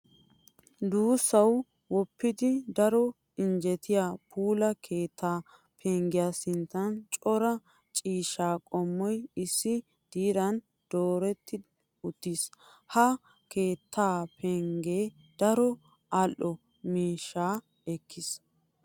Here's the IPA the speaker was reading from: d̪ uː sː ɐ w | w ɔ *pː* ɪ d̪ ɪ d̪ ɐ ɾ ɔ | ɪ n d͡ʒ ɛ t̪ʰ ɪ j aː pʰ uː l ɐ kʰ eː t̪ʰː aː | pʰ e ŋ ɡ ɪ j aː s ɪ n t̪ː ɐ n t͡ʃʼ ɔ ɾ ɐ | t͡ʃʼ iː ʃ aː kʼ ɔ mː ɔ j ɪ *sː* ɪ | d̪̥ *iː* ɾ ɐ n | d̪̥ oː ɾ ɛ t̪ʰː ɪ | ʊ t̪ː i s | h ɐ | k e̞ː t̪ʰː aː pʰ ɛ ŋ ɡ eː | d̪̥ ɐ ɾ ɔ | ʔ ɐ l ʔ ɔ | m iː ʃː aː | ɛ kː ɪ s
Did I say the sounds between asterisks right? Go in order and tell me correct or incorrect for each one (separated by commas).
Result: correct, correct, correct